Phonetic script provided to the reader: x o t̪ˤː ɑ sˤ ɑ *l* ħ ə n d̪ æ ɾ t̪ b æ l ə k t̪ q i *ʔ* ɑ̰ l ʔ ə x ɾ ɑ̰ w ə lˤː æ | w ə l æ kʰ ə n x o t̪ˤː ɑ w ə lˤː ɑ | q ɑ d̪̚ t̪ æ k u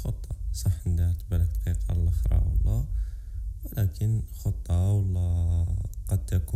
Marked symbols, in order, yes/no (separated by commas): no, no